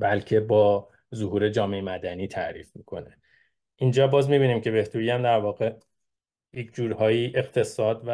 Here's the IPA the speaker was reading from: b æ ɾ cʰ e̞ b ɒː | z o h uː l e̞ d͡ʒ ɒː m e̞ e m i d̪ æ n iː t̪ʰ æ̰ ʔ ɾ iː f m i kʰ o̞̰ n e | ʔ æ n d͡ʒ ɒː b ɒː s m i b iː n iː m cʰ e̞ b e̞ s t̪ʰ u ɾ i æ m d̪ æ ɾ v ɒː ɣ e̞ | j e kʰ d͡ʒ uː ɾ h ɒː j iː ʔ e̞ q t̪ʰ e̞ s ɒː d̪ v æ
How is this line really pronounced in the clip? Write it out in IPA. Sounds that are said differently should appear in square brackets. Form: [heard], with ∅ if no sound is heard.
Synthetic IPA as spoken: b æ [l] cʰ e̞ b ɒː | z o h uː [ɾ] e̞ d͡ʒ ɒː m e̞ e m [æ] d̪ æ n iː t̪ʰ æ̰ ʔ ɾ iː f m i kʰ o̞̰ n e | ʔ [i] n d͡ʒ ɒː b ɒː [z] m i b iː n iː m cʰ e̞ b e̞ [h] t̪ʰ u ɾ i æ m d̪ æ ɾ v ɒː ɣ e̞ | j e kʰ d͡ʒ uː ɾ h ɒː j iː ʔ e̞ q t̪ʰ e̞ s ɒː d̪ v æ